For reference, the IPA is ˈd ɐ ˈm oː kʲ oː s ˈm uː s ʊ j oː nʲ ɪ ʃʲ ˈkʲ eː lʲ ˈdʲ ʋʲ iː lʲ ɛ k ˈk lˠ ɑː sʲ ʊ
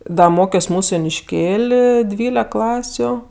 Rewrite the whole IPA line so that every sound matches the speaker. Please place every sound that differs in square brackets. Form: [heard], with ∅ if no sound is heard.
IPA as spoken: ˈd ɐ ˈm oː kʲ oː s ˈm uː s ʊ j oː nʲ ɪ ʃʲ ˈkʲ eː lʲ ˈdʲ ʋʲ iː lʲ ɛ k ˈk lˠ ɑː sʲ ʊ